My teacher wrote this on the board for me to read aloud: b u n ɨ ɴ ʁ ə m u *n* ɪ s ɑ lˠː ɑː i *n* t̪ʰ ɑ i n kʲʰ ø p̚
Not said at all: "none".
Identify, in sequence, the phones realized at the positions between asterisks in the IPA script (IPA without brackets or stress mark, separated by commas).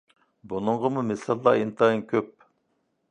m, n